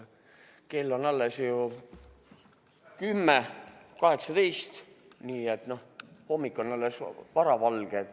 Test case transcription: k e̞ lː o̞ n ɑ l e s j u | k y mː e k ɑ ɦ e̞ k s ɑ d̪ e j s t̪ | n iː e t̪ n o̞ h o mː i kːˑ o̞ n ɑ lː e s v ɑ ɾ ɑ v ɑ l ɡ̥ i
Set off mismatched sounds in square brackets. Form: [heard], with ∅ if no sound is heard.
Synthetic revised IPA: k e̞ lː o̞ n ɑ [lː] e s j u | k y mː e k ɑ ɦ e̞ k s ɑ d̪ e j s t̪ | n iː e t̪ n o̞ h o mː i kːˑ o̞ n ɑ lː e s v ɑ ɾ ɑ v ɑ l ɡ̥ [e]